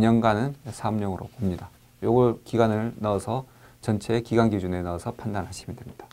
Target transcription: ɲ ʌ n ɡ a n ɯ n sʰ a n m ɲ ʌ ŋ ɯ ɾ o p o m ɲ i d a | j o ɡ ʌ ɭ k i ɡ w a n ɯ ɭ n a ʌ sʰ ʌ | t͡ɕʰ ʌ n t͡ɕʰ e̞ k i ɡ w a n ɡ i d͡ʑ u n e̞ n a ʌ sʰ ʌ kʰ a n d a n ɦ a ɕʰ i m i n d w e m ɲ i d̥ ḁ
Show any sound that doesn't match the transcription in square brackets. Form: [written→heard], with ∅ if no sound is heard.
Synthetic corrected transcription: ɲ ʌ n ɡ a n ɯ n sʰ a [n→∅] m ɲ ʌ ŋ ɯ ɾ o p o m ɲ i d a | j o ɡ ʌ ɭ k i ɡ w a n ɯ ɭ n a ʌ sʰ ʌ | [t͡ɕʰ→t͡ɕ] ʌ n t͡ɕʰ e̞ k i ɡ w a n ɡ i d͡ʑ u n e̞ n a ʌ sʰ ʌ [kʰ→pʰ] a n d a n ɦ a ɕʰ i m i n d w e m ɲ i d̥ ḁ